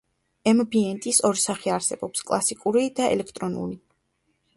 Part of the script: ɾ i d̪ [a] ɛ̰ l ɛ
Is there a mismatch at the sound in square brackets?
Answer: no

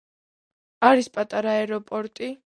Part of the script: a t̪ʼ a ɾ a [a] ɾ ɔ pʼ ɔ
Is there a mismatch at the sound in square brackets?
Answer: yes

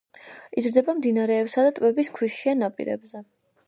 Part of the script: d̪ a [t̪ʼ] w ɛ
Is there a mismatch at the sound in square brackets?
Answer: no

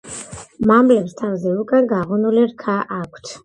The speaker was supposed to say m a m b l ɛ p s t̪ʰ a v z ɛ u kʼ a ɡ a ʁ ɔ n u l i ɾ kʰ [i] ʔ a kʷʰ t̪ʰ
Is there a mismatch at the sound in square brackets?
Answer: yes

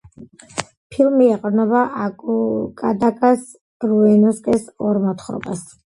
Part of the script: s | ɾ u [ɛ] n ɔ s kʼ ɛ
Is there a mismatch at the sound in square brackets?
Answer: no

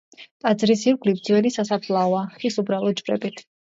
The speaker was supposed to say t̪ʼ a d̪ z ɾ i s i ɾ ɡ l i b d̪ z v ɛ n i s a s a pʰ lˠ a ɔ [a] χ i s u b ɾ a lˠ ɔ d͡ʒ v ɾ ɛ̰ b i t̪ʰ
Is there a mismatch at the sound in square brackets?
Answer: no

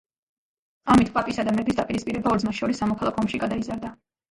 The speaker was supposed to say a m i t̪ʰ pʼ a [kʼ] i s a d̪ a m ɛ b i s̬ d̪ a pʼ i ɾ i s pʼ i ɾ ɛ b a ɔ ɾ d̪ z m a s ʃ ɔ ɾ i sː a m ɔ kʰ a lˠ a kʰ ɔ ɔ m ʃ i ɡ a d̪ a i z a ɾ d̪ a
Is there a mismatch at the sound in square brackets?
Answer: yes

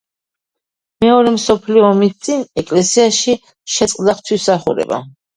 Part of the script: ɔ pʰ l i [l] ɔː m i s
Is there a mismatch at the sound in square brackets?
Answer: yes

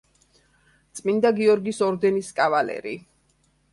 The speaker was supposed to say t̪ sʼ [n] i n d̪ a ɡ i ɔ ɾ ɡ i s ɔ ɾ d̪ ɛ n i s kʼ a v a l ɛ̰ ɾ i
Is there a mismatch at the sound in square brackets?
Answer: yes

